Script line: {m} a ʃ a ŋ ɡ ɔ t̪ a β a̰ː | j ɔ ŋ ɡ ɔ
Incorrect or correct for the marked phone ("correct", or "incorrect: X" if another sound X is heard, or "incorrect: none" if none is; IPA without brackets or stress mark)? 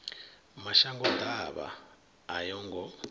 correct